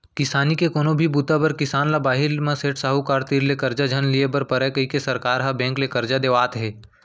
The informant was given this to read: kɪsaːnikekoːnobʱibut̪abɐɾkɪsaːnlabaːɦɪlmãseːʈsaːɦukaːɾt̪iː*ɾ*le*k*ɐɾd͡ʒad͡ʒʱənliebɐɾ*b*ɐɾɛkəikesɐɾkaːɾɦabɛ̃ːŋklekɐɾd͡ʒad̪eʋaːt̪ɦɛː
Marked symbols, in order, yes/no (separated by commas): yes, yes, no